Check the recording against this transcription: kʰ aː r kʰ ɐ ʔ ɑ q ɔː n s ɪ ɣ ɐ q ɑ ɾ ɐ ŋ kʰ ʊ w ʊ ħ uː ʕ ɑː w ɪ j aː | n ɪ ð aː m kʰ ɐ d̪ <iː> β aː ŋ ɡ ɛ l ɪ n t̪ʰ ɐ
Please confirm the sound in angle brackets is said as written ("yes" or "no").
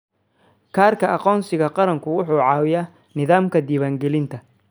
yes